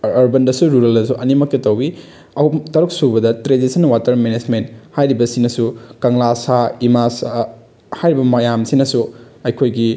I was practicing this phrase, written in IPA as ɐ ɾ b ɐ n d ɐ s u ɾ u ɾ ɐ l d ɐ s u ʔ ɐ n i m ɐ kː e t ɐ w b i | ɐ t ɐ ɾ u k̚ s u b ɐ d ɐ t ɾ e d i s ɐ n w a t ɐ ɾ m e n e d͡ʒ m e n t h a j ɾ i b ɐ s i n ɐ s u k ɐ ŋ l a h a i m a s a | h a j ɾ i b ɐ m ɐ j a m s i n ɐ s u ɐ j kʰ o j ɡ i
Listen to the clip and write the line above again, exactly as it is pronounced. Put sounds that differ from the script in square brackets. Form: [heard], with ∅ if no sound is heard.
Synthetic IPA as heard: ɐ ɾ b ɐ n d ɐ s u ɾ u ɾ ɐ l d ɐ s u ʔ ɐ n i m ɐ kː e t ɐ w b i | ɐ t ɐ ɾ u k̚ s u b ɐ d ɐ t ɾ e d i s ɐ n w a t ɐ ɾ m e n e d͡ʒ m e n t h a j ɾ i b ɐ s i n ɐ s u k ɐ ŋ l a [s] a i m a s a | h a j ɾ i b ɐ m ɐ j a m s i n ɐ s u ɐ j kʰ o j ɡ i